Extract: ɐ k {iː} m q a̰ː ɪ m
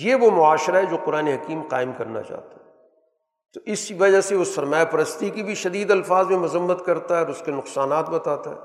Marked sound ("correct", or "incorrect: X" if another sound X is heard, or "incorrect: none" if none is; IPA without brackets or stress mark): correct